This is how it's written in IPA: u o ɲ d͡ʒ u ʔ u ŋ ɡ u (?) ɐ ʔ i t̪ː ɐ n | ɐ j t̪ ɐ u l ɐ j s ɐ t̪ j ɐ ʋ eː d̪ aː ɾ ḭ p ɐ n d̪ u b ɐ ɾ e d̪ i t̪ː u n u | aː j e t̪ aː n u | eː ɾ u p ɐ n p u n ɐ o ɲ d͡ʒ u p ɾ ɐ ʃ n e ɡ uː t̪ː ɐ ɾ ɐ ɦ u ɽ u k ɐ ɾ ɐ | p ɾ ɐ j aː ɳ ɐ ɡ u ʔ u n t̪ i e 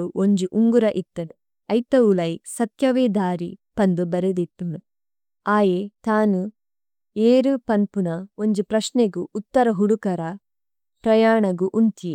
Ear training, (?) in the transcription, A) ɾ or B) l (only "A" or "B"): A